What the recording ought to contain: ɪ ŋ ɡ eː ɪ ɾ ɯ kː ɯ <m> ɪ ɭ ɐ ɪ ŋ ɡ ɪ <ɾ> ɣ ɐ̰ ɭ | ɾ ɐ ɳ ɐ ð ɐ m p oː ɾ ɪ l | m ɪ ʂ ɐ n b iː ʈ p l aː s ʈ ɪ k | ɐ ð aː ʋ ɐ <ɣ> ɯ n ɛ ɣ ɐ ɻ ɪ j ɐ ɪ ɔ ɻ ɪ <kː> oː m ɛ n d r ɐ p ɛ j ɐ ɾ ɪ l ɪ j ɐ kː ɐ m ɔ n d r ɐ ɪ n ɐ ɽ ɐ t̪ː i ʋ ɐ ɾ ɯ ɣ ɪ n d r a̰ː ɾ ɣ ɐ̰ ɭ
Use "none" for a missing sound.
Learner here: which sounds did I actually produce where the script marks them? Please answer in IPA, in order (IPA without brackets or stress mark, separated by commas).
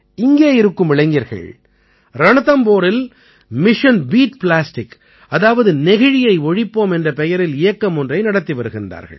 m, ɾ, ð, pː